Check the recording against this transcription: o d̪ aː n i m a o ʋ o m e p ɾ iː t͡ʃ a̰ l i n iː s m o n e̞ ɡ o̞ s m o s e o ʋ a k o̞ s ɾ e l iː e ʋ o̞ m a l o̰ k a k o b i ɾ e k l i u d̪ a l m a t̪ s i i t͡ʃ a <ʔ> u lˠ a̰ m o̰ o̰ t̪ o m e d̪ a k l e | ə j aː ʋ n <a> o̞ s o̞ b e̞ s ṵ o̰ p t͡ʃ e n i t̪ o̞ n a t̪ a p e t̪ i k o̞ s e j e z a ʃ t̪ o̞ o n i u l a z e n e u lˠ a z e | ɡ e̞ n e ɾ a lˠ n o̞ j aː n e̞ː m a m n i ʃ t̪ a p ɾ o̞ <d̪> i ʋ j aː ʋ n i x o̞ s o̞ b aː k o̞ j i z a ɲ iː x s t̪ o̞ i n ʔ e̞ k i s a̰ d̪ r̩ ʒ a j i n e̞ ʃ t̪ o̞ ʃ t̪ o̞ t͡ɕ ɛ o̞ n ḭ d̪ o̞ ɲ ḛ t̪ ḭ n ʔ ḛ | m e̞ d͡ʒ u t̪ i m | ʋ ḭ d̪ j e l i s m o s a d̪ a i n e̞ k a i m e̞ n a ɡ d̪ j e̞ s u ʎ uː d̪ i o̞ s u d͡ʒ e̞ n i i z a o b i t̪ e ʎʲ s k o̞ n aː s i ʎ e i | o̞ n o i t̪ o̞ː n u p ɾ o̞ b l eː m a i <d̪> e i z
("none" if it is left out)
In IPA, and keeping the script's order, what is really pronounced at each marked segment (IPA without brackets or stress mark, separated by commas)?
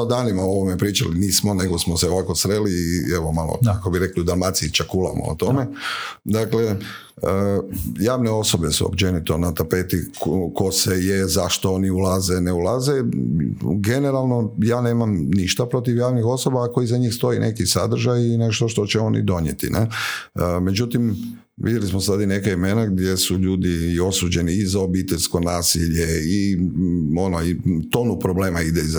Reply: k, e, t̪, d̪